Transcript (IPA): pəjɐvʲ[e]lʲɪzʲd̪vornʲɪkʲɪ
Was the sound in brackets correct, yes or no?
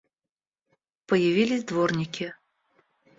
no